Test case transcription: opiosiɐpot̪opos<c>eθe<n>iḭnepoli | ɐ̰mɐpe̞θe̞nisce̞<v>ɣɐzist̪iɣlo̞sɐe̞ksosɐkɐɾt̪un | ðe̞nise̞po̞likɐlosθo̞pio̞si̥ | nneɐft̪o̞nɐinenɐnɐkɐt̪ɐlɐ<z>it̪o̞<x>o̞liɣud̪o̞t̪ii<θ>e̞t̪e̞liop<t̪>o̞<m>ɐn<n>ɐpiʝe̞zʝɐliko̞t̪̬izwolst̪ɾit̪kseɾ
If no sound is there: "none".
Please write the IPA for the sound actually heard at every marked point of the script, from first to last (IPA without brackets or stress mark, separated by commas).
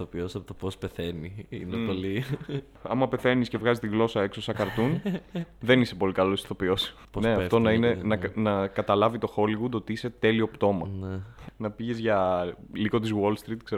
p, n, v, v, x, s, t̪, m, n